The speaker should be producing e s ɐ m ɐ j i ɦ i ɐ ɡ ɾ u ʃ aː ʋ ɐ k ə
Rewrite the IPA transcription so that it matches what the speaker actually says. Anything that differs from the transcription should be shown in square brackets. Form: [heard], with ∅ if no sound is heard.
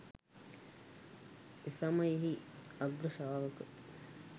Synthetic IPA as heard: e s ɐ m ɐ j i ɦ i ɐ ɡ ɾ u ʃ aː ʋ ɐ k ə